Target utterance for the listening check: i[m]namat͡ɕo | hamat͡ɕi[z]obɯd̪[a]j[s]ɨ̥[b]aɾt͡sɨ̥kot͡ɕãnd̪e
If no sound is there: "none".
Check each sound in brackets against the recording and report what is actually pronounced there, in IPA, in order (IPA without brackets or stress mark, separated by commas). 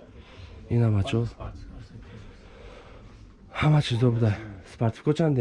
none, z, a, s, p